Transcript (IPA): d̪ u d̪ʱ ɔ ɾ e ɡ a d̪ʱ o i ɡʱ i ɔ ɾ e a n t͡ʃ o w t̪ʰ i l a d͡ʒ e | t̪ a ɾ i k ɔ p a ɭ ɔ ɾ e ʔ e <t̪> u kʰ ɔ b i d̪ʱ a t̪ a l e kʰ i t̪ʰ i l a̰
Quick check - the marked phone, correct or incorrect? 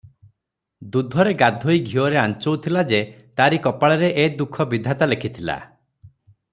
incorrect